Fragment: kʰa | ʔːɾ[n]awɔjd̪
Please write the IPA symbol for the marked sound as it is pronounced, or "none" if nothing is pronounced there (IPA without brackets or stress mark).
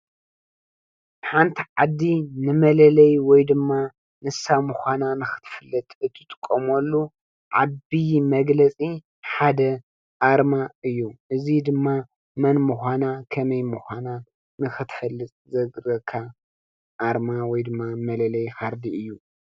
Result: m